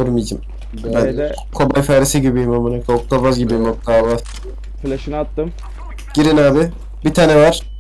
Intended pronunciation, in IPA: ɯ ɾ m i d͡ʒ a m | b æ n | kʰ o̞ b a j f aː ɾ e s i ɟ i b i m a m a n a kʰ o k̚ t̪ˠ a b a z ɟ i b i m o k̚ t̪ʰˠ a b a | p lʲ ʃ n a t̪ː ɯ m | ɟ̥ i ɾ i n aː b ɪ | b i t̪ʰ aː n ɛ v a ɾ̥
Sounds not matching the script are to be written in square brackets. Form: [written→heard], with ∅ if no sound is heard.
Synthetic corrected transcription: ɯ ɾ m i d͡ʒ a m | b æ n | kʰ o̞ b a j f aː ɾ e s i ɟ i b i m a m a n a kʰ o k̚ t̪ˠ a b a z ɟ i b i m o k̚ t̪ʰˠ a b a | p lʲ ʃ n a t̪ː ɯ m | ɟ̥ i ɾ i n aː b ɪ | b i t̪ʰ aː n ɛ v a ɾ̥